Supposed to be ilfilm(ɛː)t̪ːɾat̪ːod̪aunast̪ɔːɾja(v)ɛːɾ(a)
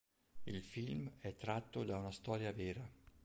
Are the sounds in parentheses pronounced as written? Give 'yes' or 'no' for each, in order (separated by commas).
no, yes, yes